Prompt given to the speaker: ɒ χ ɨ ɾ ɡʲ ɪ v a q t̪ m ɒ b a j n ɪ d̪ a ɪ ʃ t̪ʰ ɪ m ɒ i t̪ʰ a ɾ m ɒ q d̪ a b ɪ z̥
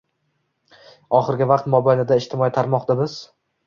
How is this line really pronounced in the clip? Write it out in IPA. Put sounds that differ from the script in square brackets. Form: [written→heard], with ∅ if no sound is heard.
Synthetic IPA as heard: ɒ χ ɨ ɾ ɡʲ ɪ v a q t̪ m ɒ b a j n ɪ d̪ a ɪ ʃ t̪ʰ ɪ m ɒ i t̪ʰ a ɾ m ɒ q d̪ a b ɪ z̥